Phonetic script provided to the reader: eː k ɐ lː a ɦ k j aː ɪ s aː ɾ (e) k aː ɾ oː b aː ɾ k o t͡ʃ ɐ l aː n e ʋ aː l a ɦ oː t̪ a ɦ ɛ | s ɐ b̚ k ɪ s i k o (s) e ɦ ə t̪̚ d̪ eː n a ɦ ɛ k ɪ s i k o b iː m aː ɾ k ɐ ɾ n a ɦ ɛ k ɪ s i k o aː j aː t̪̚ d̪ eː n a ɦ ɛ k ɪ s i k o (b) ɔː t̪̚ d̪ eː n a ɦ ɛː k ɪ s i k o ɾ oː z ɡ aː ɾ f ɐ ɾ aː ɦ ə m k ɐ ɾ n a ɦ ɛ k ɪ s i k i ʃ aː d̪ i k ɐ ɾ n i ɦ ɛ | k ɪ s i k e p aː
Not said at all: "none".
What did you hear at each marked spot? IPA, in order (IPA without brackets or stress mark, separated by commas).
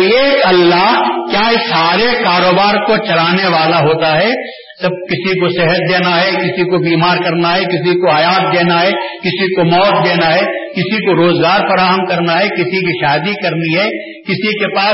e, s, m